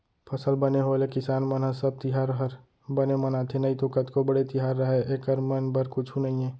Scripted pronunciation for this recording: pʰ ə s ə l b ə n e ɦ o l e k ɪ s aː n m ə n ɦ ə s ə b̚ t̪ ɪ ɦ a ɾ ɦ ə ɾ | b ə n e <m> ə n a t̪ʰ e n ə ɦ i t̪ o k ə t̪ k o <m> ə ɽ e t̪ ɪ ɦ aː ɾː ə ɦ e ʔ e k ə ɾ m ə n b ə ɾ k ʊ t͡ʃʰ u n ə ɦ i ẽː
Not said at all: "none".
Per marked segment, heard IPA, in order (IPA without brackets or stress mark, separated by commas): m, b